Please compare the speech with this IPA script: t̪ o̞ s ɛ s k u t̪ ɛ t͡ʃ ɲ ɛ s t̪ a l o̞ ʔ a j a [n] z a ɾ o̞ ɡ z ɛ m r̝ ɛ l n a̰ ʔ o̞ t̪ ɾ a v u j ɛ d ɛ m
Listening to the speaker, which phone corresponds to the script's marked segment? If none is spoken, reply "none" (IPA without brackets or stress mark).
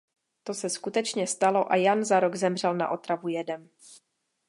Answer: n